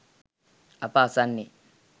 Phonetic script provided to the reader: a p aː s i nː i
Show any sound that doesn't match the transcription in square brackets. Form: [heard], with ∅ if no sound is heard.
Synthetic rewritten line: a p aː s [a] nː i